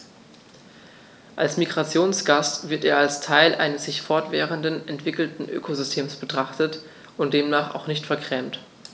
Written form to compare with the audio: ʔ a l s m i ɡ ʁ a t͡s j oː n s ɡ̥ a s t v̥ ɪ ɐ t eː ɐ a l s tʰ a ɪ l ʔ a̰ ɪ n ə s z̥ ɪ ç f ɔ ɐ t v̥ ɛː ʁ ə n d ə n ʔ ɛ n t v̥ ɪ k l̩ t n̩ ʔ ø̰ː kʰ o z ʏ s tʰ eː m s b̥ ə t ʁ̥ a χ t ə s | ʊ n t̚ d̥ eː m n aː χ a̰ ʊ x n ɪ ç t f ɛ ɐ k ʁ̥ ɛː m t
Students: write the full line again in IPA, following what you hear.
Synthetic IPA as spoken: ʔ a l s m i ɡ ʁ a t͡s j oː n s ɡ̥ a s t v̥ ɪ ɐ t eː ɐ a l s tʰ a ɪ l ʔ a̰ ɪ n ə s z̥ ɪ ç f ɔ ɐ t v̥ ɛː ʁ ə n d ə n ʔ ɛ n t v̥ ɪ k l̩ t n̩ ʔ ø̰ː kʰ o z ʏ s tʰ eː m s b̥ ə t ʁ̥ a χ t ə t | ʊ n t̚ d̥ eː m n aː χ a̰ ʊ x n ɪ ç t f ɛ ɐ k ʁ̥ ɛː m t